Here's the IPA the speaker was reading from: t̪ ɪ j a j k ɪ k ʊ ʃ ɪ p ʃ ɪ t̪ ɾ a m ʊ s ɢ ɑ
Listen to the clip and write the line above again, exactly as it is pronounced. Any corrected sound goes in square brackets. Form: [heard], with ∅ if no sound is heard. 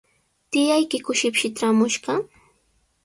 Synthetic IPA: t̪ ɪ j a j k ɪ k ʊ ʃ ɪ p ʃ ɪ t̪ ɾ a m ʊ [ʃ] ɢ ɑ

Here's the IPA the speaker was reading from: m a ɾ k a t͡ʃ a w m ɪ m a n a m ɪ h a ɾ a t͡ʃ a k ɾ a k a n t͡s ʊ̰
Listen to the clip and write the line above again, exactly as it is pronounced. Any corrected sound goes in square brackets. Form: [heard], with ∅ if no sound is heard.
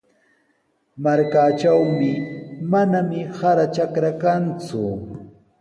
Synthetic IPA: m a ɾ k a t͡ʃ a w m ɪ m a n a m ɪ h a ɾ a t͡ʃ a k ɾ a k a n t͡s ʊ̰

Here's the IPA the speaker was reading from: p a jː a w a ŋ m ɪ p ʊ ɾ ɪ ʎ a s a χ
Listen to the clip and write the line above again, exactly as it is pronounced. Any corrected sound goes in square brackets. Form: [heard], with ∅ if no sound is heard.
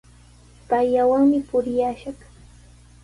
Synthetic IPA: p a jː a w a ŋ m ɪ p ʊ ɾ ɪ [j] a [ʃ] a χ

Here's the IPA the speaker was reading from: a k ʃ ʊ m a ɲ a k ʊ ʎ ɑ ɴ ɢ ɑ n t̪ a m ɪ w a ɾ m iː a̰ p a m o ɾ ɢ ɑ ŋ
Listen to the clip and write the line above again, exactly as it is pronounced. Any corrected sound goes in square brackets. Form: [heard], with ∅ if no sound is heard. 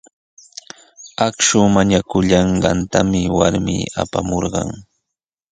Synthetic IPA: a k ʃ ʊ m a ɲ a k ʊ ʎ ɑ ɴ ɢ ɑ n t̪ a m ɪ w a ɾ m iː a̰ p a m o ɾ ɢ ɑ ŋ

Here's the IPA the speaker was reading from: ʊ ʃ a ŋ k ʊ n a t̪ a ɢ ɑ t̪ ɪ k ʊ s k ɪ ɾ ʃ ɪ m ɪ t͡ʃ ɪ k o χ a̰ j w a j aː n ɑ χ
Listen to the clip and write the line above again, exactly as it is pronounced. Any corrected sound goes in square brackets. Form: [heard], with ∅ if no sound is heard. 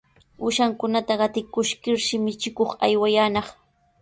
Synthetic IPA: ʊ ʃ a ŋ k ʊ n a t̪ a ɢ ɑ t̪ ɪ k ʊ [ʃ] k ɪ ɾ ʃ ɪ m ɪ t͡ʃ ɪ k o χ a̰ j w a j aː n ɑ χ

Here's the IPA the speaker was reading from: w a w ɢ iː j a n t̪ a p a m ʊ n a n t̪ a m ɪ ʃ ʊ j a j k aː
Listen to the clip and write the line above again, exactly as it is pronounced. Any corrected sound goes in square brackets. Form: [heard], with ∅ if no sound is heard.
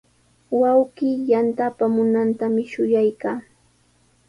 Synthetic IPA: w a w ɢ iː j a n t̪ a p a m ʊ n a n t̪ a m ɪ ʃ ʊ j a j k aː

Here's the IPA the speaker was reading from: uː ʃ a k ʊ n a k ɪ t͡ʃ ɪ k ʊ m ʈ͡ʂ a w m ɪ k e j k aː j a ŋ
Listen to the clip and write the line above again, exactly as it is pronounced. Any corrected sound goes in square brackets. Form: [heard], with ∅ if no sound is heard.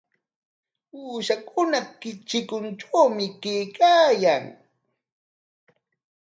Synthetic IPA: uː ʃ a k ʊ n a k ɪ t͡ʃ ɪ k ʊ [n] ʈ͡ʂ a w m ɪ k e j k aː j a ŋ

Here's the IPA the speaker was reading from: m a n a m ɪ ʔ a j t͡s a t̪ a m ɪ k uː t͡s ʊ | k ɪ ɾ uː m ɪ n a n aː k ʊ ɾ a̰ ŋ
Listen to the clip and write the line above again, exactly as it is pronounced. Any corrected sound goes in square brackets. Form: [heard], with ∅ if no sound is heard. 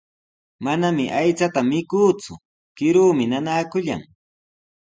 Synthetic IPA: m a n a m ɪ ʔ a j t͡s a t̪ a m ɪ k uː t͡s ʊ | k ɪ ɾ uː m ɪ n a n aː k ʊ [ʎ] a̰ ŋ

